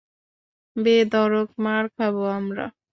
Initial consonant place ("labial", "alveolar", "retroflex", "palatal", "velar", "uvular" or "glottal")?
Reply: labial